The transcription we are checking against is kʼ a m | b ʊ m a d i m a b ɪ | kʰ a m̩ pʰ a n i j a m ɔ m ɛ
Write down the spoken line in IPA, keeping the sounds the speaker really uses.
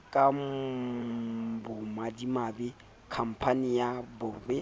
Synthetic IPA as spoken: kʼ a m | b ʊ m a d i m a b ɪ | kʰ a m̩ pʰ a n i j a b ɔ b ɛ